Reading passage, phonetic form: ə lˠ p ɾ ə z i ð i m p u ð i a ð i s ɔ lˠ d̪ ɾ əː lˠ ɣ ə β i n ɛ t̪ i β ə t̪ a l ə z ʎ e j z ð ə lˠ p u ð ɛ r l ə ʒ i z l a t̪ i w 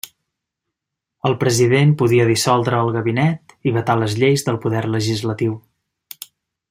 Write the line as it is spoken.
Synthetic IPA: ə lˠ p ɾ ə z i ð e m p u ð i ə ð i s ɔ lˠ d̪ ɾ əː lˠ ɣ ə β i n ɛ t̪ i β ə t̪ a l ə z ʎ e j z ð ə lˠ p u ð ɛ r l ə ʒ i z l ə t̪ i w

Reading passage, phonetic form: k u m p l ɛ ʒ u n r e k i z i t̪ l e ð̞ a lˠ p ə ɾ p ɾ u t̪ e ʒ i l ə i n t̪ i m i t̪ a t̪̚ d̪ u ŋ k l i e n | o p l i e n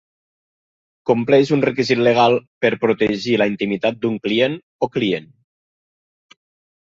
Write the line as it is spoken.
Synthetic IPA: k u m p l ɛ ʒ u n r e k i z i t̪ l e ɣ̞ a lˠ p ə ɾ p ɾ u t̪ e ʒ i l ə i n t̪ i m i t̪ a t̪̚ d̪ u ŋ k l i e n | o k l i e n

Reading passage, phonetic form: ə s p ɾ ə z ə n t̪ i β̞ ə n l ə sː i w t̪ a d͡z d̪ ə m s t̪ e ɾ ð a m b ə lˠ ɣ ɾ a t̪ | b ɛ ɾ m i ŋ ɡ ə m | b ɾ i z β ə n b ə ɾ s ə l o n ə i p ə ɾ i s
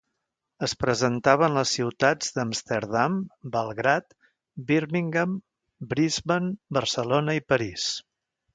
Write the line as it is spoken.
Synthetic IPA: ə s p ɾ ə z ə n t̪ a β̞ ə n l ə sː i w t̪ a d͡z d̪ ə m s t̪ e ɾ ð a m b ə lˠ ɣ ɾ a t̪ | b i ɾ m i ŋ ɡ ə m | b ɾ i z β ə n b ə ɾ s ə l o n ə i p ə ɾ i s

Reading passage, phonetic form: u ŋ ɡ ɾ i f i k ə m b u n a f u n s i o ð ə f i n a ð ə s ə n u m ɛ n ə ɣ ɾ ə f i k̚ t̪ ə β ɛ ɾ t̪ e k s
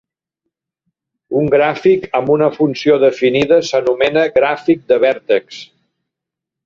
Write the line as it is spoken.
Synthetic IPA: u ŋ ɡ ɾ a f i k ə m b u n ə f u n s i o ð ə f i n i ð ə s ə n u m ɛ n ə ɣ ɾ a f i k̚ d̪ ə β ɛ ɾ t̪ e k s

